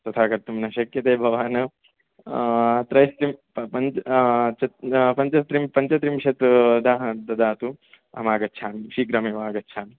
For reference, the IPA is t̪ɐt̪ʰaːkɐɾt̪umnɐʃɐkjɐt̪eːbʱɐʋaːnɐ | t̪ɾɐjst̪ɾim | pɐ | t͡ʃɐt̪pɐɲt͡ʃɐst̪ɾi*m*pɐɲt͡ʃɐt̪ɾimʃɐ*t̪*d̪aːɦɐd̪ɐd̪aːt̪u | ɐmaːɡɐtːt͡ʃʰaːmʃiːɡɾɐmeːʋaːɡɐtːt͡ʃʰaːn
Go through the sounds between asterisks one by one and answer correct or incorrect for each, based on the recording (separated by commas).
correct, correct